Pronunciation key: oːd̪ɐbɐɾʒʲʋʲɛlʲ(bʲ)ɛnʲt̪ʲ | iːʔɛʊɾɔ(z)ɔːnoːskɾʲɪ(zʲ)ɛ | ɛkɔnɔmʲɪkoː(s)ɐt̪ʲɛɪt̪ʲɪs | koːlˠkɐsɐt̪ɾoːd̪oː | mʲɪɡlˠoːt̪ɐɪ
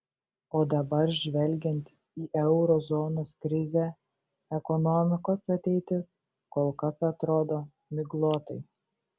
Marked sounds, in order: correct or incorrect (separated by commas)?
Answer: incorrect, correct, correct, correct